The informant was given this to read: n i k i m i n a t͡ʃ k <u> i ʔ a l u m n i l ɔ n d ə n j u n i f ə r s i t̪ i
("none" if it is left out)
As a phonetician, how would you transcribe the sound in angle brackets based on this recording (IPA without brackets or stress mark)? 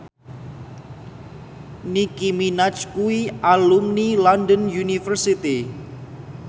u